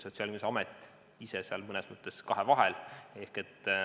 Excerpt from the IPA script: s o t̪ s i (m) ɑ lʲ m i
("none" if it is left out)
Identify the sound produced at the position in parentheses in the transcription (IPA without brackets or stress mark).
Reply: none